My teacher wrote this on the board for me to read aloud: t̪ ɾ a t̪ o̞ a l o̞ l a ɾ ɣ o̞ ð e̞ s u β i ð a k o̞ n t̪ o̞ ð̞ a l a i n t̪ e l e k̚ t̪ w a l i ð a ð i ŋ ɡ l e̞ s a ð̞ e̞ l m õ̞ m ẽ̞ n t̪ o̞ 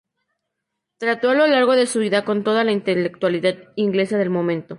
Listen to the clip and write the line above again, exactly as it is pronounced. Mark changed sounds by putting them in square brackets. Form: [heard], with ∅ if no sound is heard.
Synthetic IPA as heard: t̪ ɾ a t̪ o̞ a l o̞ l a ɾ ɣ o̞ ð e̞ s u β i ð a k o̞ n t̪ o̞ ð̞ a l a i n t̪ e l e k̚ t̪ w a l i ð a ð i ŋ ɡ l e̞ s a ð̞ e̞ l m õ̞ m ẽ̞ n t̪ o̞